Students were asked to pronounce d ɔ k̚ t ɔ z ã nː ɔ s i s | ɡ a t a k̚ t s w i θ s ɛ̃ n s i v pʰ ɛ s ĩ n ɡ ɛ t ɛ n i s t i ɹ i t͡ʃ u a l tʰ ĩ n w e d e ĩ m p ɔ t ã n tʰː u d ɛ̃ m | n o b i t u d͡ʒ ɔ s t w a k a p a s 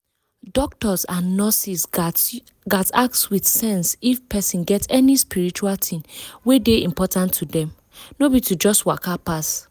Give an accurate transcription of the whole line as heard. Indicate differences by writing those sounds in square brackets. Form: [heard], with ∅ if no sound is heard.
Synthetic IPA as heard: d ɔ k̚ t ɔ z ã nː ɔ s i s | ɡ a t a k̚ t s w i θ s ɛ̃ n s i [f] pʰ ɛ s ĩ n ɡ ɛ t ɛ n i s [p] i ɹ i t͡ʃ u a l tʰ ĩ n w e d e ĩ m p ɔ t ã n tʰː u d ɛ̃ m | n o b i t u d͡ʒ ɔ s t w a k a p a s